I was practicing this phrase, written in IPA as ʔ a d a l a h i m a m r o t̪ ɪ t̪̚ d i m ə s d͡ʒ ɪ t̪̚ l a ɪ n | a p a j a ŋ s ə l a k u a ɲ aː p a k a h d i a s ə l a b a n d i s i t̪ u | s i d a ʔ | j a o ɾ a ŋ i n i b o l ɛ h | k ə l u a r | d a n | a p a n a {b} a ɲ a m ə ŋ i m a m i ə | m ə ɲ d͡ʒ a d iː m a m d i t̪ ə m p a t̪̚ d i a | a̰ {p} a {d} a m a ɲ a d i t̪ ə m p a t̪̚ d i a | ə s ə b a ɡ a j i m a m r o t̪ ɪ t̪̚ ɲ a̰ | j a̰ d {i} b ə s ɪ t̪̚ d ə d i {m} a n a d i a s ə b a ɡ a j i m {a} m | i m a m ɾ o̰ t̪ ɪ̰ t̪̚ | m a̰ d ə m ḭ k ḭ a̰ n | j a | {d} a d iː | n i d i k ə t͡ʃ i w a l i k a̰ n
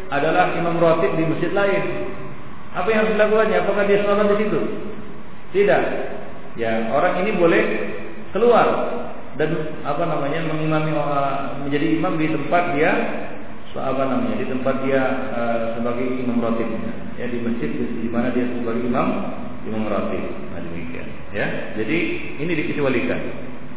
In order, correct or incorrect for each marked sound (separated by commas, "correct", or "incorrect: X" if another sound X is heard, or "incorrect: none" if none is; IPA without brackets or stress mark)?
incorrect: m, correct, incorrect: n, correct, correct, correct, incorrect: d͡ʒ